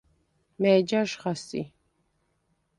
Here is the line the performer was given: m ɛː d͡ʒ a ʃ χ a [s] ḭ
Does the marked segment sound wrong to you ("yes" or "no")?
no